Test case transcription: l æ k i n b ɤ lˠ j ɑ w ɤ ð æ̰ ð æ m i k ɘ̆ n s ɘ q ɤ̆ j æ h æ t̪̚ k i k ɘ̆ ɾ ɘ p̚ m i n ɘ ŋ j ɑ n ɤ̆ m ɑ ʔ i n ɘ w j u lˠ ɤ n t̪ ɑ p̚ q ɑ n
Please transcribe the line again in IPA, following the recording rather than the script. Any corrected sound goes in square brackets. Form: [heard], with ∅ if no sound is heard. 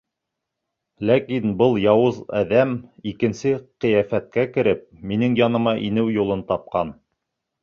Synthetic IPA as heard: l æ k i n b ɤ lˠ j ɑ w ɤ [z] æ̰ ð æ m i k ɘ̆ n s ɘ q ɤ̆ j æ [f] æ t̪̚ k [æ] k ɘ̆ ɾ ɘ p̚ m i n ɘ ŋ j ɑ n ɤ̆ m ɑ ʔ i n ɘ w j u lˠ ɤ n t̪ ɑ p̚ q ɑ n